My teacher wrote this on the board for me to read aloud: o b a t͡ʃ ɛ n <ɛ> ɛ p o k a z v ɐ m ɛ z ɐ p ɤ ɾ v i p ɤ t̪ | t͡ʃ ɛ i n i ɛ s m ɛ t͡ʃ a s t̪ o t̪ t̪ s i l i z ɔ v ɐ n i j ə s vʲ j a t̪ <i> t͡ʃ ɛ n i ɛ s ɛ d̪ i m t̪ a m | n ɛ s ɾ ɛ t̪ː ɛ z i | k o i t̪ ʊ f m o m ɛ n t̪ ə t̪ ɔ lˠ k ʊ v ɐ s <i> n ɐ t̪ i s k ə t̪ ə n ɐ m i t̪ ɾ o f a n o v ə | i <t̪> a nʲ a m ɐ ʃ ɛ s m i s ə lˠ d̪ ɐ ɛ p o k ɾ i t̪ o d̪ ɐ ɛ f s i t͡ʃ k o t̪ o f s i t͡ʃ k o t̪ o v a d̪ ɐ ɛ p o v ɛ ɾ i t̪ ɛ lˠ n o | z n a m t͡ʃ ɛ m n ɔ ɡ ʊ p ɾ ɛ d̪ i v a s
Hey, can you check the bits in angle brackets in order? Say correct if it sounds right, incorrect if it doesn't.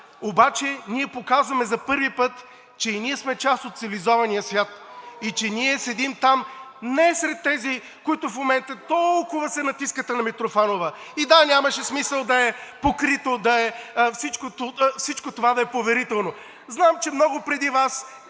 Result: incorrect: i, correct, incorrect: ɛ, incorrect: d̪

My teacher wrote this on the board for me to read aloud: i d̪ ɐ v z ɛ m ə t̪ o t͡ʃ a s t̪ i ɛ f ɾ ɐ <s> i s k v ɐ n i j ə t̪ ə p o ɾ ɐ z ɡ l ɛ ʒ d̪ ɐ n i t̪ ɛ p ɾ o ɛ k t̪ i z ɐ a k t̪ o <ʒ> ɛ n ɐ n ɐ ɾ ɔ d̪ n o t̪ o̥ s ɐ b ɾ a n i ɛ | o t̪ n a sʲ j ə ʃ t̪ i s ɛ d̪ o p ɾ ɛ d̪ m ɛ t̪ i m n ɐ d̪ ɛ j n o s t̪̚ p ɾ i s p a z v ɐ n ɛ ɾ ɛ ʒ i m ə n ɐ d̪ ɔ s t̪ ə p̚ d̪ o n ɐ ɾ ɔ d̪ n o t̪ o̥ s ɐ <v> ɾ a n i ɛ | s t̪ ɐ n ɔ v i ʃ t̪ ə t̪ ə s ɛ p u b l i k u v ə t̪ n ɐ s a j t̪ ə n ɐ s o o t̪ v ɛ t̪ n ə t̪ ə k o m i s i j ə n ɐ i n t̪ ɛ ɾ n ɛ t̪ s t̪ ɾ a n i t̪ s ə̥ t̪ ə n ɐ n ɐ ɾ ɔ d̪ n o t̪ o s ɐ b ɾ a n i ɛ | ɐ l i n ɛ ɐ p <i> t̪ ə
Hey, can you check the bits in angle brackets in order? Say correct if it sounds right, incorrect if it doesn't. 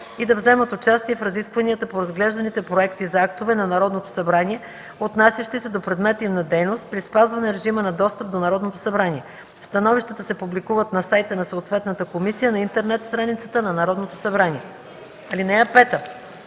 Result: incorrect: z, incorrect: v, incorrect: b, incorrect: ɛ

